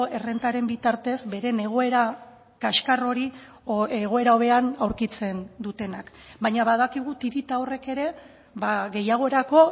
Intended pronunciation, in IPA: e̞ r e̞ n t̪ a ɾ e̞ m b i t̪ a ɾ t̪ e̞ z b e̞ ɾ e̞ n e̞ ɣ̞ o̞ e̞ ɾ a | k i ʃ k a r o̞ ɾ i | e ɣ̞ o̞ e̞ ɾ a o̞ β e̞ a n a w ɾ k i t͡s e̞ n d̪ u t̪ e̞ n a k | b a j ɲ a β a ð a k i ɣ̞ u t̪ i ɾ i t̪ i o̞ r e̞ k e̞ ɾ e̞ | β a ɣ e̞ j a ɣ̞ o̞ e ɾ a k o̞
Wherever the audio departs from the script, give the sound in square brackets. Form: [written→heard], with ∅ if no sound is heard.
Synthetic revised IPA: e̞ r e̞ n t̪ a ɾ e̞ m b i t̪ a ɾ t̪ e̞ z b e̞ ɾ e̞ n e̞ ɣ̞ o̞ e̞ ɾ a | k [i→a] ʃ k a r o̞ ɾ i | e ɣ̞ o̞ e̞ ɾ a o̞ β e̞ a n a w ɾ k i t͡s e̞ n d̪ u t̪ e̞ n a k | b a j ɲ a β a ð a k i ɣ̞ u t̪ i ɾ i t̪ [i→a] o̞ r e̞ k e̞ ɾ e̞ | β a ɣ e̞ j a ɣ̞ o̞ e ɾ a k o̞